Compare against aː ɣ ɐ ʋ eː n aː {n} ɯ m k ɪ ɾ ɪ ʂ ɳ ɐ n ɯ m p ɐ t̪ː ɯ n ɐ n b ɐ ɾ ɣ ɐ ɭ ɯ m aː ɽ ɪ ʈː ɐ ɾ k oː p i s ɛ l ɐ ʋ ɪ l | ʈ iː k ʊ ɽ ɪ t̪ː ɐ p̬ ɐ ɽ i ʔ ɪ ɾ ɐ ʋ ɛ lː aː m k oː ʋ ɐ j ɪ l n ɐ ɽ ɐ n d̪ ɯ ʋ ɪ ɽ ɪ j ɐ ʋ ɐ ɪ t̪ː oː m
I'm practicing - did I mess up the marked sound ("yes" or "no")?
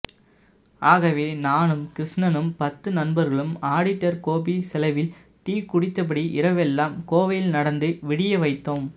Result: no